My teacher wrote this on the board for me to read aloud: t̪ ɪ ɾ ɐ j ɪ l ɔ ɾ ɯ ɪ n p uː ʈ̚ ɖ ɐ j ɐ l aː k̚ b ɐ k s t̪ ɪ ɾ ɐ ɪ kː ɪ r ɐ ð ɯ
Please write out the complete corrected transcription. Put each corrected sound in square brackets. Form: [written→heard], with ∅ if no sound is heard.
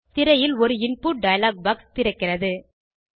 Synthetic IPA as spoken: t̪ ɪ ɾ ɐ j ɪ l ɔ ɾ ɯ ɪ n p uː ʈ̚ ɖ ɐ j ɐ l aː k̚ b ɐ k s t̪ ɪ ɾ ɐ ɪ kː ɪ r ɐ ð ɯ